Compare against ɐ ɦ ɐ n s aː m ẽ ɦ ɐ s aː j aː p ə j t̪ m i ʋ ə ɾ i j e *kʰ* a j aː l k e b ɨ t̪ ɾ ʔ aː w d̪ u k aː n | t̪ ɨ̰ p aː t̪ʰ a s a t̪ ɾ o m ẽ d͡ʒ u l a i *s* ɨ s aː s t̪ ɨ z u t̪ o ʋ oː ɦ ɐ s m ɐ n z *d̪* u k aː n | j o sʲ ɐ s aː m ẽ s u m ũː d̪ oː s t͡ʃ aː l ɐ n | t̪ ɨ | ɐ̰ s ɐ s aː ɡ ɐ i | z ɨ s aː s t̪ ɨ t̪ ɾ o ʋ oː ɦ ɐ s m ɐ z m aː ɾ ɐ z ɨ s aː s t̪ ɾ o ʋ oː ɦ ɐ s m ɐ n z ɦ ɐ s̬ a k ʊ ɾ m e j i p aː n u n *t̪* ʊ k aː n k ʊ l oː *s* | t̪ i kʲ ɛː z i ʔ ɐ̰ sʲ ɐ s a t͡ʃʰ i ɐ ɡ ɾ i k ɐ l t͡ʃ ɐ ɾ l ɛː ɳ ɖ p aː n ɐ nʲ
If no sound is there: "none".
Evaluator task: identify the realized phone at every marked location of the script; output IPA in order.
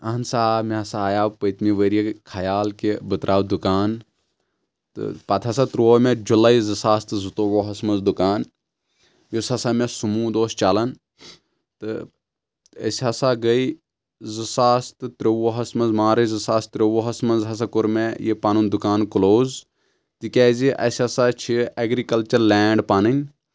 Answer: kʰ, z, d̪, d̪, z

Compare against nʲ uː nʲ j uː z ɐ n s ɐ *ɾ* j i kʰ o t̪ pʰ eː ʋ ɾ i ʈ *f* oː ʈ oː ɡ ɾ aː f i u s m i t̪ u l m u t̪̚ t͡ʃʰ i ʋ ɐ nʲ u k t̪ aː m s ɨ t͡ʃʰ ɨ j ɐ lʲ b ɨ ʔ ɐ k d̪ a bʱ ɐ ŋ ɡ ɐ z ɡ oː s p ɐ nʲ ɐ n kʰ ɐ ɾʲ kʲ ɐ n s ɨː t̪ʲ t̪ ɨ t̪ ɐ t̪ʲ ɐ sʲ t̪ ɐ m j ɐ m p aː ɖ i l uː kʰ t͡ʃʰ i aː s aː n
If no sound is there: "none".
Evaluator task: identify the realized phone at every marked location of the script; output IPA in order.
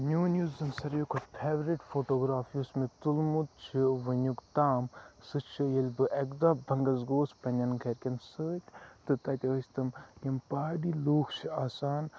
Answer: ɾ, f

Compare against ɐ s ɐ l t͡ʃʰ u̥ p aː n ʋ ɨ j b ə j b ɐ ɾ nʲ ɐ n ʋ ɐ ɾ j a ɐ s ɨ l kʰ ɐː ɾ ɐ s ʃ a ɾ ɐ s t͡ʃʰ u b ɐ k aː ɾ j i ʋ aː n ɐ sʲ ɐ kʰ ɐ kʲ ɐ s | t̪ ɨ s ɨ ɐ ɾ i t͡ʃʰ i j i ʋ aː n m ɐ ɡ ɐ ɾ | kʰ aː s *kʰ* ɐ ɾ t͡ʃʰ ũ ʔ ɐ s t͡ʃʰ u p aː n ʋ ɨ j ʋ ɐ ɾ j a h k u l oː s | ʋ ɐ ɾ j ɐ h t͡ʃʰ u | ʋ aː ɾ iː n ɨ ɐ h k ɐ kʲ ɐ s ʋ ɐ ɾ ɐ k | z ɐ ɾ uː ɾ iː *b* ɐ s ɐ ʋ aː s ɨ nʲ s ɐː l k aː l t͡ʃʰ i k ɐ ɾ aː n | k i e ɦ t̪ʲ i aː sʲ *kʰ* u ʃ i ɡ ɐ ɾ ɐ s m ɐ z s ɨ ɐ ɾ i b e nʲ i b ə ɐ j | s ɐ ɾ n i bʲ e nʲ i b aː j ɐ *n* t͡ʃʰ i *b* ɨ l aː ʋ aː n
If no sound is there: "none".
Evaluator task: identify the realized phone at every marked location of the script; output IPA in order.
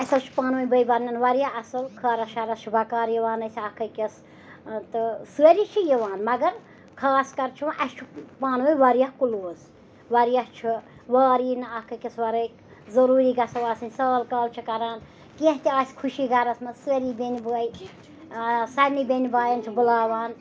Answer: k, ɡ, kʰ, n, b

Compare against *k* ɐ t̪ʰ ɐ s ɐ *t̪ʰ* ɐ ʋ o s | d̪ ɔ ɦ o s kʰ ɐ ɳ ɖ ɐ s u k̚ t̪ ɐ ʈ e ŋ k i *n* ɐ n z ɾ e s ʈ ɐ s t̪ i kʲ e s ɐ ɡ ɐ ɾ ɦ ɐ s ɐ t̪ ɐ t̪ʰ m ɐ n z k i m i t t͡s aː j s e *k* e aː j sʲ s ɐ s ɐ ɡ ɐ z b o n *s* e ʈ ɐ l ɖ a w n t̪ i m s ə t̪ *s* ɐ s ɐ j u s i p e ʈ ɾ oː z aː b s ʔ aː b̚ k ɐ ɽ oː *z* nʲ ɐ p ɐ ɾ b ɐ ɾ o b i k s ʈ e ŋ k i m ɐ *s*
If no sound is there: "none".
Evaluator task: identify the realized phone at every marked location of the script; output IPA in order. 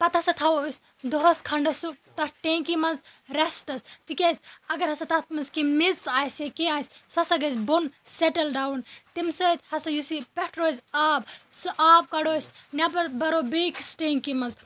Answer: p, t̪ʰ, m, k, s, h, s, z

